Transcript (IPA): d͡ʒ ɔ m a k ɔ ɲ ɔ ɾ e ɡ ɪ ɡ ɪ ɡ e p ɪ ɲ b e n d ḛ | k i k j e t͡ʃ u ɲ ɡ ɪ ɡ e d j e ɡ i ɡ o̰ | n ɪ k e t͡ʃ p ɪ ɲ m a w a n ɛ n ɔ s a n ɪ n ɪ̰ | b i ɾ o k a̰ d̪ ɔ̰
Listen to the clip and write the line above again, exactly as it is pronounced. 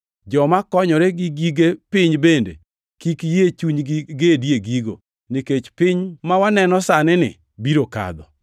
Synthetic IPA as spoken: d͡ʒ ɔ m a k ɔ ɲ ɔ ɾ e ɡ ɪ ɡ i ɡ e p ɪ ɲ b e n d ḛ | k i k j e t͡ʃ u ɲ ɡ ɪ ɡ e d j e ɡ i ɡ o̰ | n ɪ k e t͡ʃ p ɪ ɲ m a w a n ɛ n ɔ s a n ɪ n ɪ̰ | b i ɾ o k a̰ d̪ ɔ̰